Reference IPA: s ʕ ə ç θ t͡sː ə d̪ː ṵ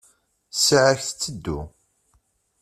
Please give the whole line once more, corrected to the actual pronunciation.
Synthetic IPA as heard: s ʕ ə ç θ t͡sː ə d̪ː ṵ